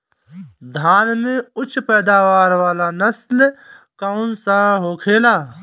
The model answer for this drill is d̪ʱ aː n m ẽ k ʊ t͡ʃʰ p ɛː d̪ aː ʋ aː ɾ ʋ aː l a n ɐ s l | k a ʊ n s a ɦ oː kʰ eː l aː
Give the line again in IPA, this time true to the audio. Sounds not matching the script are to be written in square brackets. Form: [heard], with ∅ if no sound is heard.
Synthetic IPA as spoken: d̪ʱ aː n m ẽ [∅] ʊ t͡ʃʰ p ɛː d̪ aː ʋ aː ɾ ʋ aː l a n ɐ s l | k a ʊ n s a ɦ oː kʰ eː l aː